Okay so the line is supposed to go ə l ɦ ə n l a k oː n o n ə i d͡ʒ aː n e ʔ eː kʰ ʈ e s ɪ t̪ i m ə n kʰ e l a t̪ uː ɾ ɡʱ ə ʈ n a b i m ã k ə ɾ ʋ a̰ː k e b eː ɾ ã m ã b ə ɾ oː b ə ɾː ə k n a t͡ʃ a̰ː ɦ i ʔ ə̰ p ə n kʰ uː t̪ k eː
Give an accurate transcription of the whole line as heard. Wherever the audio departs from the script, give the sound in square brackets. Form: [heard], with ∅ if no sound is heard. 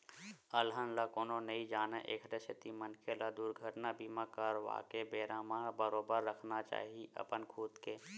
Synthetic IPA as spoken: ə l ɦ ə n l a k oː n o n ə i d͡ʒ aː n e ʔ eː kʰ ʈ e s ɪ t̪ i m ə n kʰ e l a [d̪] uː ɾ ɡʱ ə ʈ n a b i m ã k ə ɾ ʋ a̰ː k e b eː ɾ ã m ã b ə ɾ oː b ə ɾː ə [kʰ] n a t͡ʃ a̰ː ɦ i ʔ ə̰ p ə n kʰ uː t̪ k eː

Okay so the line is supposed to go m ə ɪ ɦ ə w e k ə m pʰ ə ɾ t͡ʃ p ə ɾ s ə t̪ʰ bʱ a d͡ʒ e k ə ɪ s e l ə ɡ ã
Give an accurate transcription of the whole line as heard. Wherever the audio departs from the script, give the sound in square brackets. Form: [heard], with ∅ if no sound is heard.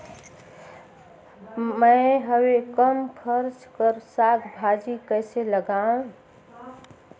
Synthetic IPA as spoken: m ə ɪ ɦ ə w e k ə m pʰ ə ɾ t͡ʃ [k] ə ɾ s [a] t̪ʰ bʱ a d͡ʒ [i] k ə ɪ s e l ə ɡ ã

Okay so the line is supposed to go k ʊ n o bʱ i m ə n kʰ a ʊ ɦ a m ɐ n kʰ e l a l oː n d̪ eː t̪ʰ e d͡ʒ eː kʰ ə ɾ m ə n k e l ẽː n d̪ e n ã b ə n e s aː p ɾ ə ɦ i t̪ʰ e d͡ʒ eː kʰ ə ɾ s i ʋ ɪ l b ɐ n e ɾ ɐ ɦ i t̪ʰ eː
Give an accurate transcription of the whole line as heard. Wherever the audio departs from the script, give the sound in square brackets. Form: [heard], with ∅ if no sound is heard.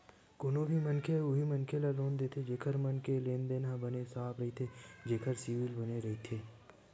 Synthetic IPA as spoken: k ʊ n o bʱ i m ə n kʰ [e] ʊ ɦ [i] m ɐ n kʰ e l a l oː n d̪ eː t̪ʰ e d͡ʒ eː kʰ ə ɾ m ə n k e l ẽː n d̪ e n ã b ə n e s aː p ɾ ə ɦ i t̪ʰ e d͡ʒ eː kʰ ə ɾ s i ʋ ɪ l b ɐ n e ɾ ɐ ɦ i t̪ʰ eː

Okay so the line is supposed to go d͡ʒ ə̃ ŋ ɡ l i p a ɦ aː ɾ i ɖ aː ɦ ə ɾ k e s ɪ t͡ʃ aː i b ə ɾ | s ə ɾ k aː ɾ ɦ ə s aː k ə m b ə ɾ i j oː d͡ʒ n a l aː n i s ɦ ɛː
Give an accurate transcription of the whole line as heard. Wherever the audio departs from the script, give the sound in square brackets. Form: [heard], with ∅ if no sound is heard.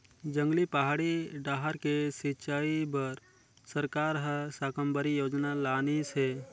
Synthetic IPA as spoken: d͡ʒ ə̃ ŋ ɡ l i p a ɦ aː [ɽ] i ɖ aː ɦ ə ɾ k e s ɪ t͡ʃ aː i b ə ɾ | s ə ɾ k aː ɾ ɦ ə s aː k ə m b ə ɾ i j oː d͡ʒ n a l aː n i s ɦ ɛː

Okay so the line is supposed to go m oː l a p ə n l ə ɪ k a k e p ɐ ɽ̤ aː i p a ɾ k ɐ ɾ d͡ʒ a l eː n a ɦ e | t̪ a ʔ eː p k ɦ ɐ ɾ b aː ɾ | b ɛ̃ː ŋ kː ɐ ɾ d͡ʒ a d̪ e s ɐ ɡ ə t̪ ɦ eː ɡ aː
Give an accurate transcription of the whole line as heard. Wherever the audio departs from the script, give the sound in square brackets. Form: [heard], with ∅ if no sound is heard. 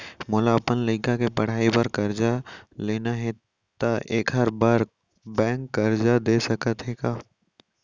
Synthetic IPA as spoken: m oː l a p ə n l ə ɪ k a k e p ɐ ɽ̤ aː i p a ɾ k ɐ ɾ d͡ʒ a l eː n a ɦ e | t̪ a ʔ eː [∅] k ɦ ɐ ɾ b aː ɾ | b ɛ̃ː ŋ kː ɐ ɾ d͡ʒ a d̪ e s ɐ [k] ə t̪ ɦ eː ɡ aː

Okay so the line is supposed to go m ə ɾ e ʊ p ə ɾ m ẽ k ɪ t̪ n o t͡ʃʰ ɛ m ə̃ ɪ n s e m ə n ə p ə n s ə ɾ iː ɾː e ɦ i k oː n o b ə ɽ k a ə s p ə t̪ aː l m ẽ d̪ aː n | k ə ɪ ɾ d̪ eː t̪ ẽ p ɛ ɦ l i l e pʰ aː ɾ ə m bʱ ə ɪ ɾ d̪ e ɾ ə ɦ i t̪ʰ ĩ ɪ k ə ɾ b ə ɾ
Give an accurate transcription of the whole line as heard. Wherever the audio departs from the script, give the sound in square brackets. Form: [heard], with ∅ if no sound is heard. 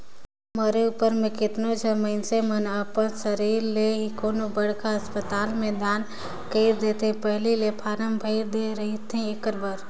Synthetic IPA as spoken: m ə ɾ e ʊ p ə ɾ m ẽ k ɪ t̪ n o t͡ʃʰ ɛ m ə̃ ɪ n s e m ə n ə p ə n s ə ɾ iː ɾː e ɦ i k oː n o b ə ɽ k a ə s p ə t̪ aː l m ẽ d̪ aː n | k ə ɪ ɾ d̪ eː t̪ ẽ p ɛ ɦ l i l e pʰ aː ɾ ə m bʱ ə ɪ ɾ d̪ e ɾ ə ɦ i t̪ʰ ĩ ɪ k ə ɾ b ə ɾ

